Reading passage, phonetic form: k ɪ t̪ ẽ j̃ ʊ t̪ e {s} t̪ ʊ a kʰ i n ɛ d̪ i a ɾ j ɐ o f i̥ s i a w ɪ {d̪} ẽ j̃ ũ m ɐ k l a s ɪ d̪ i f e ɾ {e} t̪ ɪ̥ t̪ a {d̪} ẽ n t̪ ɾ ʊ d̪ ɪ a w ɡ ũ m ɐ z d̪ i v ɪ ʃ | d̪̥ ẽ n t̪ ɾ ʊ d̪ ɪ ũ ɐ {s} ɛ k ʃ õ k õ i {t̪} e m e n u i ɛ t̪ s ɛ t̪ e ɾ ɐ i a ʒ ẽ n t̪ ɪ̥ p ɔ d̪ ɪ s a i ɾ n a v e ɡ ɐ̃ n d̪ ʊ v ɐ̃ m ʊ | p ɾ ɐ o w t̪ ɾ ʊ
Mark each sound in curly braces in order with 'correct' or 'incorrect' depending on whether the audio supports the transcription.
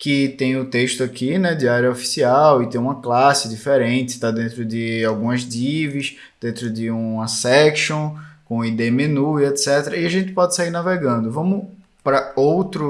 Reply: incorrect: ʃ, incorrect: t̪, incorrect: ẽ, correct, correct, incorrect: d̪

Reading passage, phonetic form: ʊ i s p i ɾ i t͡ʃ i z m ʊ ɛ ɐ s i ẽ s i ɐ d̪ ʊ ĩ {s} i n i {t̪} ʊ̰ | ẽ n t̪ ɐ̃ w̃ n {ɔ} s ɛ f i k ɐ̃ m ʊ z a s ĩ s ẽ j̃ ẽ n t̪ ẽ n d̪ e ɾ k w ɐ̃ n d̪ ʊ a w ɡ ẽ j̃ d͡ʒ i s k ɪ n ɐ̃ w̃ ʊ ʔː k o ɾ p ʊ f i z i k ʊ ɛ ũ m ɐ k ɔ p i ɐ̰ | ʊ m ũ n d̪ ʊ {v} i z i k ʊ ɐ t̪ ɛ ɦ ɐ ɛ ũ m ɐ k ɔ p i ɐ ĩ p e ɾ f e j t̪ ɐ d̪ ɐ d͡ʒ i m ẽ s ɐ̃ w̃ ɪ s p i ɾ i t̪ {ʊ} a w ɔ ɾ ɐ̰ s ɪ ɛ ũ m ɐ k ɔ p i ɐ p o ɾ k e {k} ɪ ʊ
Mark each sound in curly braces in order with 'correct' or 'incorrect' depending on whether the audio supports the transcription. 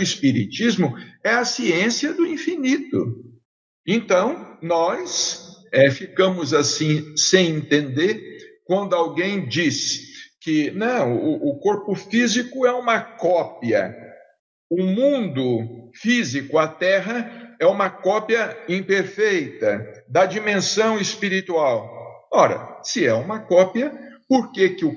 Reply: incorrect: f, correct, correct, incorrect: f, incorrect: u, correct

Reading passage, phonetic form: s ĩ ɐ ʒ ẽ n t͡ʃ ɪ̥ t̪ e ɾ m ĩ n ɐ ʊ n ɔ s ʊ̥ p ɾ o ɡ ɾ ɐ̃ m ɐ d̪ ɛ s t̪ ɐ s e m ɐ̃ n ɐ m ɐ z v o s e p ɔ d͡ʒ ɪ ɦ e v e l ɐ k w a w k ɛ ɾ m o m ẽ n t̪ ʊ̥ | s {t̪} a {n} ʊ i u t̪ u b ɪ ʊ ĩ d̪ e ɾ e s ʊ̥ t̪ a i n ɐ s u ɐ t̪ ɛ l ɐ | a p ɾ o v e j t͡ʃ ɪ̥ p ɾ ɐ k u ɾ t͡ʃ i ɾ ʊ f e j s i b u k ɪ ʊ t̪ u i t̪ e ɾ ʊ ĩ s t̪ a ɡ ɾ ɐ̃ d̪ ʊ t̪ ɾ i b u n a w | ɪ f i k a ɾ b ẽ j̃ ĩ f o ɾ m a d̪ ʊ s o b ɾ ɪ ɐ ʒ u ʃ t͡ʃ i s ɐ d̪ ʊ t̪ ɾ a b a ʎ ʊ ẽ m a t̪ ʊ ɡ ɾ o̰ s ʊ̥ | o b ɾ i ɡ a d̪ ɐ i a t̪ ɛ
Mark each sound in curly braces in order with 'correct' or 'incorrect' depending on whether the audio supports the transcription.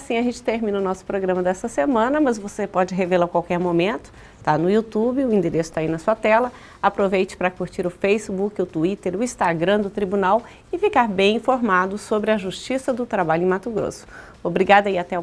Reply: correct, correct

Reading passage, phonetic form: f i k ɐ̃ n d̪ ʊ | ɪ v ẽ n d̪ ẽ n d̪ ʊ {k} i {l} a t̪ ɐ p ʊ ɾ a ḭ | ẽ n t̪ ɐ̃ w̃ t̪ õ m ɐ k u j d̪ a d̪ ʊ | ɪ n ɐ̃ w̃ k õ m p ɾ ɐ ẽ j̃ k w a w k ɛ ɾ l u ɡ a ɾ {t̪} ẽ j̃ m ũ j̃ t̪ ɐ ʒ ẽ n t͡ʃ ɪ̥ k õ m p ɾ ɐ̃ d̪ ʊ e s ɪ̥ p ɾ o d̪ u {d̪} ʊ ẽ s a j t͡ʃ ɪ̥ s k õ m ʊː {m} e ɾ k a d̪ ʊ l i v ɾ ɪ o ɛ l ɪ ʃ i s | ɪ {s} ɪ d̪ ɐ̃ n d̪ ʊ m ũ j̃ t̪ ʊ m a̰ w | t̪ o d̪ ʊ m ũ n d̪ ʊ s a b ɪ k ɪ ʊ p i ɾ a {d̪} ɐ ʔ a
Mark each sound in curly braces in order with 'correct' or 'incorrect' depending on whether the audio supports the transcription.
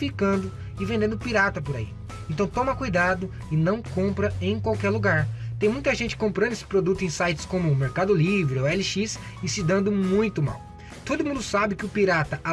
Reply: incorrect: p, incorrect: ɾ, correct, incorrect: t̪, correct, correct, incorrect: t̪

